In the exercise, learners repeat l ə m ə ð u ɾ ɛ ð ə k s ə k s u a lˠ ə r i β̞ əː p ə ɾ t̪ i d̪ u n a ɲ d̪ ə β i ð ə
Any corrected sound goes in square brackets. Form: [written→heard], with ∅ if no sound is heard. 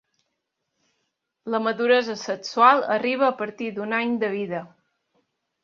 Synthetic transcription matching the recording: l ə m ə ð u ɾ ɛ [ð→z] ə [k→∅] s ə k s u a lˠ ə r i β̞ əː p ə ɾ t̪ i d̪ u n a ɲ d̪ ə β i ð ə